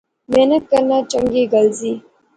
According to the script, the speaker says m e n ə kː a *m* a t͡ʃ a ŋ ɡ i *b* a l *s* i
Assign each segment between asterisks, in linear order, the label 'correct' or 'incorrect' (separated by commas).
incorrect, incorrect, incorrect